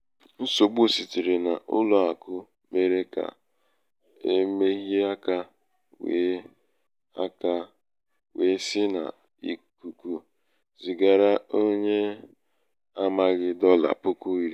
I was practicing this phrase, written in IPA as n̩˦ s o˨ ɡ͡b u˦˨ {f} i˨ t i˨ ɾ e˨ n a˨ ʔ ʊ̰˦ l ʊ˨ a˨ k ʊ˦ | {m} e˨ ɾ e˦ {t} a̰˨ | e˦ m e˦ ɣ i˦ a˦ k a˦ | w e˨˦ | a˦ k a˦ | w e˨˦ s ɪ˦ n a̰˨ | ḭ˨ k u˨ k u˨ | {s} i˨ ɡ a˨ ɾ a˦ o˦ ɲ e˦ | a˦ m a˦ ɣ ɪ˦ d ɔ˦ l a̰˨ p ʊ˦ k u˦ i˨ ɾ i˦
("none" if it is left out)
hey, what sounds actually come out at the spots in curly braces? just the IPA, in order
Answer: s, m, k, z

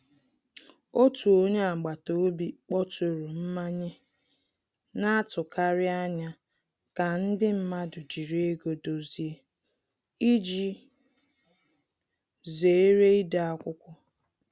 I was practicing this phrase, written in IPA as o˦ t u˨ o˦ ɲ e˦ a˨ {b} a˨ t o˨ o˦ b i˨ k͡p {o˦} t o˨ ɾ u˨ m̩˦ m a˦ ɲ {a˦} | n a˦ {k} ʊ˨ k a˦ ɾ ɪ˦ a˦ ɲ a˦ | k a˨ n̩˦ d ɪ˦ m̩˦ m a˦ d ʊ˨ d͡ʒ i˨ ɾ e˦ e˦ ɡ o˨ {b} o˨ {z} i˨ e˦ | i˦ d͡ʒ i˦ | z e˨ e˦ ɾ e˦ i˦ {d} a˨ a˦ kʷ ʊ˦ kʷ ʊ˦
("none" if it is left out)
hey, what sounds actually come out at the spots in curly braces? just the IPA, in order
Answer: ɡ͡b, ɔ˦, e˦, t, d, z, d

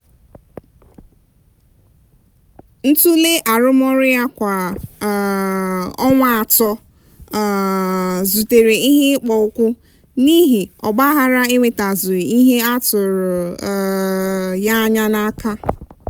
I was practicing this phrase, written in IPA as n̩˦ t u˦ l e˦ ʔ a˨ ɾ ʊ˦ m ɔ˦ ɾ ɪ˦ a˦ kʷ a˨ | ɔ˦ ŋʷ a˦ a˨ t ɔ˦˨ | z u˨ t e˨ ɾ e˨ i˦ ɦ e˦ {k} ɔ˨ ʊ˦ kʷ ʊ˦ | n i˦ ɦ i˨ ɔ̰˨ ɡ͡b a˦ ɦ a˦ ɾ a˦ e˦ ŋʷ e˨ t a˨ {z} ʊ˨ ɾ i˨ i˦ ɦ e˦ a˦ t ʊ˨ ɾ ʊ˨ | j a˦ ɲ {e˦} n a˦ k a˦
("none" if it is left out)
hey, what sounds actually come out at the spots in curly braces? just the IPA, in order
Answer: k͡p, z, a˦

